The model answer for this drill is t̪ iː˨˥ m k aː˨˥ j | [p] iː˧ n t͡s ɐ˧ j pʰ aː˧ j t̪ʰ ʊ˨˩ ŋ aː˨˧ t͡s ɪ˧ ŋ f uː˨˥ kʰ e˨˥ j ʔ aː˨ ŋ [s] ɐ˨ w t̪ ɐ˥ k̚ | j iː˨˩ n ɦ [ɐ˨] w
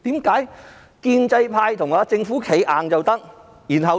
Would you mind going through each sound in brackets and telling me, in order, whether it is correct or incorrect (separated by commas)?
incorrect, incorrect, correct